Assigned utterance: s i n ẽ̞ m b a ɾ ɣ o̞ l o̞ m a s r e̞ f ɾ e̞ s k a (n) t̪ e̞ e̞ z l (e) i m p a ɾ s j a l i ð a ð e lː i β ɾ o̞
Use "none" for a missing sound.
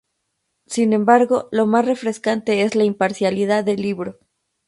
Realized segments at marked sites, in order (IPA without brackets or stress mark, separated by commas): n, a